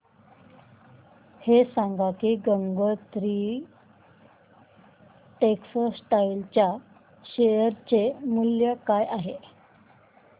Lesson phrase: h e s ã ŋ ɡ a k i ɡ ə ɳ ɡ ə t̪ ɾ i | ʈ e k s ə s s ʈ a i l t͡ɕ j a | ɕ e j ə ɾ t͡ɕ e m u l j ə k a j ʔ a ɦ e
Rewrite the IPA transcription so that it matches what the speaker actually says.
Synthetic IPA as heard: h e s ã ŋ ɡ a k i ɡ ə ŋ ɡ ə t̪ ɾ i | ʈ e k s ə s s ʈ a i l t͡ɕ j a | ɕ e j ə ɾ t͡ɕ e m u l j ə k a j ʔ a ɦ e